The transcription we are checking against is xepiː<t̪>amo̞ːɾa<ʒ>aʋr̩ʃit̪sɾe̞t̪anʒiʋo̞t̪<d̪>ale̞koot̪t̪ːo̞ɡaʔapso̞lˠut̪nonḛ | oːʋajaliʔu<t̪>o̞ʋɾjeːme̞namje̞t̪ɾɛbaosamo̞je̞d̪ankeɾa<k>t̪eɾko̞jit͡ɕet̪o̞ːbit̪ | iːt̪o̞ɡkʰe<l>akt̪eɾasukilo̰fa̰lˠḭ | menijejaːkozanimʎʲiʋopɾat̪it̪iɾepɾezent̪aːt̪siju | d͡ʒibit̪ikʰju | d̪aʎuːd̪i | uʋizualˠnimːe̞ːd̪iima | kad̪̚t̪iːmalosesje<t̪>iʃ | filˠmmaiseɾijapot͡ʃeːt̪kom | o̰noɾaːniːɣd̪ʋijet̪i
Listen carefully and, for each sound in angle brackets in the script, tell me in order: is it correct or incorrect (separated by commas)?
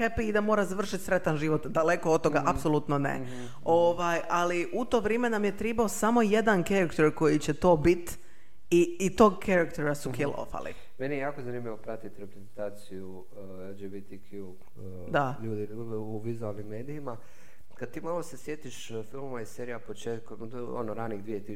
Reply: incorrect, incorrect, correct, correct, correct, incorrect, correct